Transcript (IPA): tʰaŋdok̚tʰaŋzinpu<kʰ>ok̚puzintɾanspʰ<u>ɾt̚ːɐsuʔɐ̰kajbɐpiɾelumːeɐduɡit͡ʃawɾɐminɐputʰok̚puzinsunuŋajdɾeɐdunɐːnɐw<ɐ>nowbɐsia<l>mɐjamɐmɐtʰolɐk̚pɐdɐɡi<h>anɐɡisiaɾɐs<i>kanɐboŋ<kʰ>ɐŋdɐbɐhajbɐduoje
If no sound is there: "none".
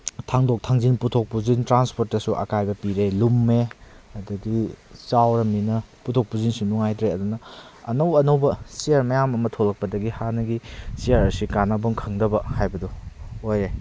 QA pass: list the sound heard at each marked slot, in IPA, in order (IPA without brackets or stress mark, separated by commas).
tʰ, o, ɐ, ɾ, h, i, kʰ